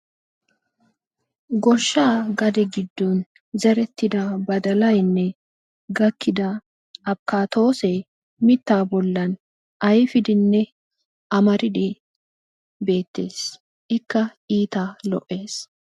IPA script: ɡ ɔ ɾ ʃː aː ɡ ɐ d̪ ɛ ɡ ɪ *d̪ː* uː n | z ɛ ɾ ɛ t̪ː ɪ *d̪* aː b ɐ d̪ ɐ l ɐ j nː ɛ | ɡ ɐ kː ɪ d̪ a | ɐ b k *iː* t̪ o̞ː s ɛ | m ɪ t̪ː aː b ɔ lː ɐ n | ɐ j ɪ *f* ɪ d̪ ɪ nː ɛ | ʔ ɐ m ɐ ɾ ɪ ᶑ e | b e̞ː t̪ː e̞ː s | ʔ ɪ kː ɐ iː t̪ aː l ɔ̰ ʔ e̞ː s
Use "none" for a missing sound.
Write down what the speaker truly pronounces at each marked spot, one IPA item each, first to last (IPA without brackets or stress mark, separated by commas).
d̪ː, d̪, aː, f